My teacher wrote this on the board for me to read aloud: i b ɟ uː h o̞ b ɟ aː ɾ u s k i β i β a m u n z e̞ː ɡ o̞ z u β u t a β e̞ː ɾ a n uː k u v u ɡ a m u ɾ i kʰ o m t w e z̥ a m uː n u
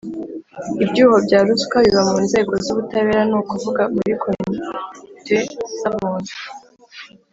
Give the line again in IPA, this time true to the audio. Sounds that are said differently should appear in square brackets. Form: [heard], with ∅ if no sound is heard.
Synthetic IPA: i b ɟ uː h o̞ b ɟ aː ɾ u s k [a] β i β a m [uː] n z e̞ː ɡ o̞ z u β u t a β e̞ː ɾ a n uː k u v u ɡ a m u ɾ i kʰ o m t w e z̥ a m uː n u